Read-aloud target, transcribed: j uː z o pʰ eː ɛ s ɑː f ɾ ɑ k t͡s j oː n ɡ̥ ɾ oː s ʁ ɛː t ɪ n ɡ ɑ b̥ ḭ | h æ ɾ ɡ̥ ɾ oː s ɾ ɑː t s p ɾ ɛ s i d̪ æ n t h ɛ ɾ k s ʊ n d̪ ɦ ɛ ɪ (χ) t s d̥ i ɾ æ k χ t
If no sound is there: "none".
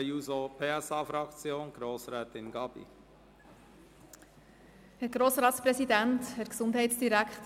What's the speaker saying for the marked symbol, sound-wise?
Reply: none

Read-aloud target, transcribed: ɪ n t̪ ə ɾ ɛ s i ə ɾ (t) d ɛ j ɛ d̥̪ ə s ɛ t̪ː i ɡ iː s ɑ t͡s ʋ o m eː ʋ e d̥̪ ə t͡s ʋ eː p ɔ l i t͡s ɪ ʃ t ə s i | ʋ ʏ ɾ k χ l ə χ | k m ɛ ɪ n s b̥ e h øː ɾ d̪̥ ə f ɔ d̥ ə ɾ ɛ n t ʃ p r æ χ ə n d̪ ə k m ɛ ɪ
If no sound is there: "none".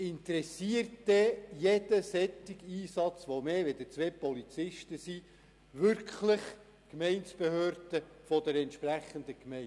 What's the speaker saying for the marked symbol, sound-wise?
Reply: t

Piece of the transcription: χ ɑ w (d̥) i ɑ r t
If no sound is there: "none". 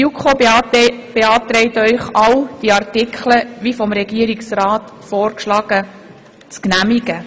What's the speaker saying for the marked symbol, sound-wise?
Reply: d̥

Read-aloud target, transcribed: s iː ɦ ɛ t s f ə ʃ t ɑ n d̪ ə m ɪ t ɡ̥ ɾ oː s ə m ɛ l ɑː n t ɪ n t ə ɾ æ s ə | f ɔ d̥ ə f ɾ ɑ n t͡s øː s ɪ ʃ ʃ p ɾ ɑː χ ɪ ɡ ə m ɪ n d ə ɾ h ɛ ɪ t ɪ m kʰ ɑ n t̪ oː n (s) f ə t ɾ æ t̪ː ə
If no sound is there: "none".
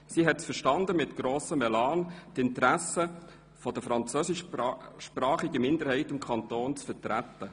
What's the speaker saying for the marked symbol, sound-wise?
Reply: t͡s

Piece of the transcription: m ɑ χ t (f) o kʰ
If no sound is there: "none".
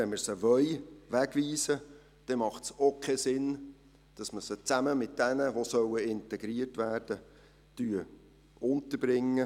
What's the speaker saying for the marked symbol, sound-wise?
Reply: s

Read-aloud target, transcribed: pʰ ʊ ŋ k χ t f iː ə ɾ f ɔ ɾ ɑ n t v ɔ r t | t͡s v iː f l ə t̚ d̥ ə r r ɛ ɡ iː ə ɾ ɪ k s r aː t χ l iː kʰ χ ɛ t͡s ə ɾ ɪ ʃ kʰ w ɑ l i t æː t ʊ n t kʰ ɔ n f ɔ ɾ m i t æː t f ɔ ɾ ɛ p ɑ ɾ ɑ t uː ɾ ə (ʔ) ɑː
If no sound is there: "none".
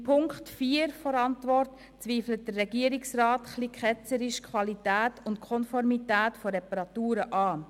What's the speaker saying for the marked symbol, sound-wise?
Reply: ʔ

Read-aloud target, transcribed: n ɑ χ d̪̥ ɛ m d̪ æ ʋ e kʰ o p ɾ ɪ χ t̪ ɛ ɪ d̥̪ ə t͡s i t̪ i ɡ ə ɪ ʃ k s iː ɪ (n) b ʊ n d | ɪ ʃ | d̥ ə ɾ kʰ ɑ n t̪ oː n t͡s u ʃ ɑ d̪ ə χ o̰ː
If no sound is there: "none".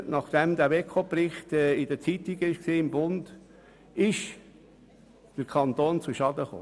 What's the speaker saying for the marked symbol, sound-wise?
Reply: m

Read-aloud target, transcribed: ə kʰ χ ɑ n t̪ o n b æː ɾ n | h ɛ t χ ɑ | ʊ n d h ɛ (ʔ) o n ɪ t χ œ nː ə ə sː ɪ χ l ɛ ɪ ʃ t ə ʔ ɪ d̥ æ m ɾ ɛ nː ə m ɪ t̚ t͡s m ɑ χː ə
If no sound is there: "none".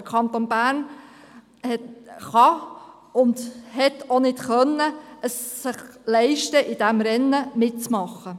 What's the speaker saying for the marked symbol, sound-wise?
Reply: t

